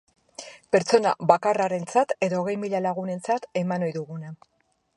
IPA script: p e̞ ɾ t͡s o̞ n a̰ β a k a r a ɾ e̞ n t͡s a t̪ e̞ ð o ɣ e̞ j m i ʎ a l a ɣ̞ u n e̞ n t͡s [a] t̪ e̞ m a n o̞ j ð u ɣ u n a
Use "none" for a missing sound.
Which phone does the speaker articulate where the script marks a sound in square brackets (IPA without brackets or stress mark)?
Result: a